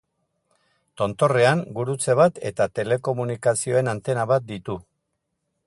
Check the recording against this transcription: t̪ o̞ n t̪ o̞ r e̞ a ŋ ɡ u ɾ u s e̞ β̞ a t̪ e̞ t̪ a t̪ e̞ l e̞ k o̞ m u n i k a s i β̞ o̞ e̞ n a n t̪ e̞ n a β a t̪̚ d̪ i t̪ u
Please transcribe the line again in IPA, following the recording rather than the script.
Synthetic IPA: t̪ o̞ n t̪ o̞ r e̞ a ŋ ɡ u ɾ u t͡s e̞ β̞ a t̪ e̞ t̪ a t̪ e̞ l e̞ k o̞ m u n i k a s i o̞ e̞ n a n t̪ e̞ n a β a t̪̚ d̪ i t̪ u

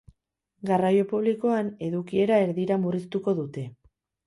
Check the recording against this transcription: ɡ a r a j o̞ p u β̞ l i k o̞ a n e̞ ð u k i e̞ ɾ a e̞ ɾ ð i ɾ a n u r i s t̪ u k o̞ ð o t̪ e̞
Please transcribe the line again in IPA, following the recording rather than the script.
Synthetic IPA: ɡ a r a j o̞ p u β̞ l i k o̞ a n e̞ ð u k i e̞ ɾ a e̞ ɾ ð i ɾ a m u r i s t̪ u k o̞ ð u t̪ e̞

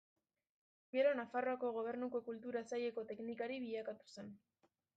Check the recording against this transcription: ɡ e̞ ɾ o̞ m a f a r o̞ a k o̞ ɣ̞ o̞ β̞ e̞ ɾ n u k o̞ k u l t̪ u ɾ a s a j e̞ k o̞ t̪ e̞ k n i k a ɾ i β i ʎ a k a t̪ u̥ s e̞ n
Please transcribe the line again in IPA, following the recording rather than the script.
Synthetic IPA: ɡ e̞ ɾ o̞ n a f a r o̞ a k o̞ ɣ̞ o̞ β̞ e̞ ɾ n u k o̞ k u l t̪ u ɾ a s a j e̞ k o̞ t̪ e̞ k n i k a ɾ i β i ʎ a k a t̪ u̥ s e̞ n

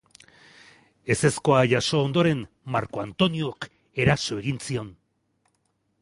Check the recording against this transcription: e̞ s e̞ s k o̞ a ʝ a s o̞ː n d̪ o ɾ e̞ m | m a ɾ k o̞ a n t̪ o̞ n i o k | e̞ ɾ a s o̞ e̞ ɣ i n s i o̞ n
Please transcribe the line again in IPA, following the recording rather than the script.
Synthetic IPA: e̞ s e̞ s k o̞ a ʝ a s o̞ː n d̪ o ɾ e̞ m | m a ɾ k o̞ a n t̪ o̞ n i o k | e̞ ɾ a s o̞ e̞ ɣ i n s i o̞ n

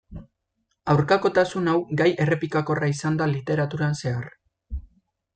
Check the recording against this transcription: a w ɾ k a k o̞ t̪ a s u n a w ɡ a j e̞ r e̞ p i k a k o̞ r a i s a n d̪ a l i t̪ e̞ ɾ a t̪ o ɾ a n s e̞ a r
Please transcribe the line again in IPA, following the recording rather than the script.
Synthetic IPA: a w ɾ k a k o̞ t̪ a s u n a w ɡ a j e̞ r e̞ p i k a k o̞ r a i s a n d̪ a l i t̪ e̞ ɾ a t̪ u ɾ a n s e̞ a r

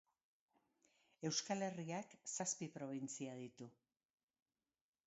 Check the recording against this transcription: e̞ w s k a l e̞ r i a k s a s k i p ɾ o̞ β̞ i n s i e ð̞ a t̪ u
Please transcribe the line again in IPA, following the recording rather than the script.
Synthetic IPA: e̞ w s k a l e̞ r i a k s a s p i p ɾ o̞ β̞ i n t͡s i a ð̞ i t̪ u

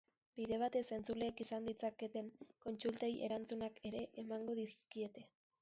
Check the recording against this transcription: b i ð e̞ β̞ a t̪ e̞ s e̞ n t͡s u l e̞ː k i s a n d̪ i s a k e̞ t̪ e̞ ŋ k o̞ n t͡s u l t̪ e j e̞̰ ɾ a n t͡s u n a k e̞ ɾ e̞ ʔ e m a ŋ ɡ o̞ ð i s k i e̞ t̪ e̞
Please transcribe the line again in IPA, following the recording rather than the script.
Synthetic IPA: b i ð e̞ β̞ a t̪ e̞ s e̞ n t͡s u l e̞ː k i s a n d̪ i t͡s a k e̞ t̪ e̞ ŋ k o̞ n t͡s u l t̪ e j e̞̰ ɾ a n t͡s u n a k e̞ ɾ e̞ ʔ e m a ŋ ɡ o̞ ð i s k i e̞ t̪ e̞

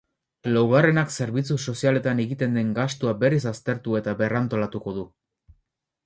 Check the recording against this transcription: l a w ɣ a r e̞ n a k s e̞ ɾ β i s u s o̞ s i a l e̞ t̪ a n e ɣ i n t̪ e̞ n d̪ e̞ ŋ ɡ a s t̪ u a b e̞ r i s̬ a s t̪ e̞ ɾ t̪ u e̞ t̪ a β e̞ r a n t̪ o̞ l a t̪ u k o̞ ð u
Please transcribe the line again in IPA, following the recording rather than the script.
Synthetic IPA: l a w ɣ a r e̞ n a k s e̞ ɾ β i t͡s u s o̞ s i a l e̞ t̪ a n e ɣ i t̪ e̞ n d̪ e̞ ŋ ɡ a s t̪ u a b e̞ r i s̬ a s t̪ e̞ ɾ t̪ u e̞ t̪ a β e̞ r a n t̪ o̞ l a t̪ u k o̞ ð u

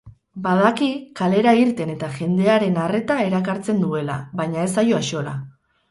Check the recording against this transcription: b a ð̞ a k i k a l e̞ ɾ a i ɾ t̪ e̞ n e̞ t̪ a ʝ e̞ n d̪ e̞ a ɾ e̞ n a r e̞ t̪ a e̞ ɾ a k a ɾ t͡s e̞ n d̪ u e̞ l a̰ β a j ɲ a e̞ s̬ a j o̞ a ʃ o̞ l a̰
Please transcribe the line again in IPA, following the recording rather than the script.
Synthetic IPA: b a ð̞ a k i k a l e̞ ɾ a i ɾ t̪ e̞ n e̞ t̪ a ʝ e̞ n d̪ e̞ a ɾ e̞ n a r e̞ t̪ a e̞ ɾ a k a ɾ t͡s e̞ n d̪ u e̞ l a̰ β a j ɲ a e̞ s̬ a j o̞ a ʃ o̞ l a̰

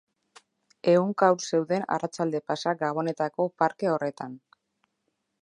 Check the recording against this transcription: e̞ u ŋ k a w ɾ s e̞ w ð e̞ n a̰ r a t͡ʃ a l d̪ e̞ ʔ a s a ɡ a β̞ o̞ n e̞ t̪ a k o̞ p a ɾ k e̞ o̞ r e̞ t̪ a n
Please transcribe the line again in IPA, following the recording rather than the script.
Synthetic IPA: e̞ u ŋ k a w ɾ s e̞ w ð e̞ n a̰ r a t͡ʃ a l d̪ e̞ p a s a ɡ a β̞ o̞ n e̞ t̪ a k o̞ p a ɾ k e̞ o̞ r e̞ t̪ a n

